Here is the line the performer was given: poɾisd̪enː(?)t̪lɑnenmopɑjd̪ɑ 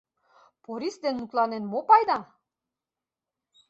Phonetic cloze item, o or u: u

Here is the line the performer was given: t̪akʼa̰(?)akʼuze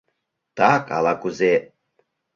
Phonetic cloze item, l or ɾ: l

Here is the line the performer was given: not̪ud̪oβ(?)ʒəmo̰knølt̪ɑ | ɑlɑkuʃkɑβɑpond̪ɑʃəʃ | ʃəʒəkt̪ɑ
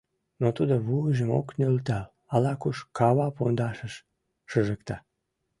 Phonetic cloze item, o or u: u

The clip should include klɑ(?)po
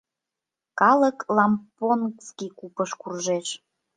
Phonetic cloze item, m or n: m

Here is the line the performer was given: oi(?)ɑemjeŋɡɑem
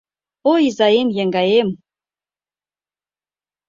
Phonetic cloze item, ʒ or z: z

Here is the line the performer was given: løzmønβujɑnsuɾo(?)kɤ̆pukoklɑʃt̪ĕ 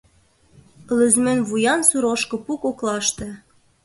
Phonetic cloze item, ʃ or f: ʃ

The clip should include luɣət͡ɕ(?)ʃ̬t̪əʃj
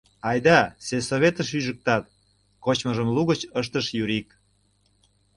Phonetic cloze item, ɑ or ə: ə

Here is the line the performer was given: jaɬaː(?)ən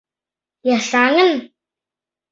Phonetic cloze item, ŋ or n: ŋ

